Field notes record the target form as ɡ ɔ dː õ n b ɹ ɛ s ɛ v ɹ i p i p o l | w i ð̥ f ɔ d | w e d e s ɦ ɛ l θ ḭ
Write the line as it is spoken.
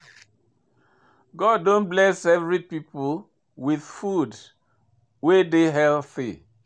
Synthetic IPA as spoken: ɡ ɔ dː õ n b l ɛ s ɛ v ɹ i p i p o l | w i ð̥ f u d | w e d e ɦ ɛ l θ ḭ